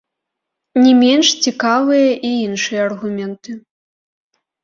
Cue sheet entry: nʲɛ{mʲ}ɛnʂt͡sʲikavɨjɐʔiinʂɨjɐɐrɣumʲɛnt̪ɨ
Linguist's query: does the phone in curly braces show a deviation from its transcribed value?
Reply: no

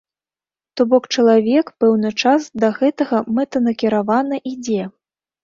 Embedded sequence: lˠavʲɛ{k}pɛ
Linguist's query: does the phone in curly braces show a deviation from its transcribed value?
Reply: no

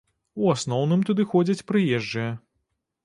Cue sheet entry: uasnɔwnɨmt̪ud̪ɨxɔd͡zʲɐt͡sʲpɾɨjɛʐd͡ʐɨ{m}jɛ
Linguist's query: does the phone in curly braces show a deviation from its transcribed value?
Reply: yes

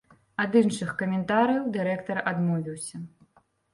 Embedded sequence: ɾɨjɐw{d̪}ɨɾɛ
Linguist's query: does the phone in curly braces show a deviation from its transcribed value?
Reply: no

